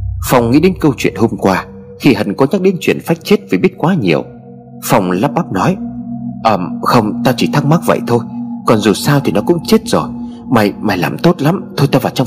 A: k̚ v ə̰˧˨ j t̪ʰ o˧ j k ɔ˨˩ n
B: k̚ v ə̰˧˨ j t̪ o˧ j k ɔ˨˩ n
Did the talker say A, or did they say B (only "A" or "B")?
A